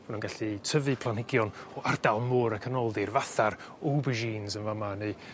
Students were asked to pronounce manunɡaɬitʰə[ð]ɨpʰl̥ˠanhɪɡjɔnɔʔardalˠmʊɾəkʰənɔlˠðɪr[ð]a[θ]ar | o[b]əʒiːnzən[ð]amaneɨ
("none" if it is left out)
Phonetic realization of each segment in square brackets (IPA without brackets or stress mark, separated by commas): v, v, θ, b, v